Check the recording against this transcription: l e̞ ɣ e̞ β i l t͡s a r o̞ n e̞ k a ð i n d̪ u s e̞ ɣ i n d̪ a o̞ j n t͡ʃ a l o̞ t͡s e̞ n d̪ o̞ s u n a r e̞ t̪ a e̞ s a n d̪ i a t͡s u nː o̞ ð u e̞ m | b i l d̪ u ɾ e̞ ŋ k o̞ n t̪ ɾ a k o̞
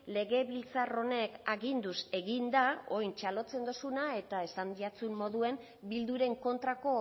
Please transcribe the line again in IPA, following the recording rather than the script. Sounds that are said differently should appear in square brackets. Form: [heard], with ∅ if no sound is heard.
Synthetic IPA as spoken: l e̞ ɣ e̞ β i l t͡s a r o̞ n e̞ k a [ɣ] i n d̪ u s e̞ ɣ i n d̪ a o̞ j n t͡ʃ a l o̞ t͡s e̞ n d̪ o̞ s u n a [∅] e̞ t̪ a e̞ s a n d̪ i a t͡s u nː o̞ ð u e̞ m | b i l d̪ u ɾ e̞ ŋ k o̞ n t̪ ɾ a k o̞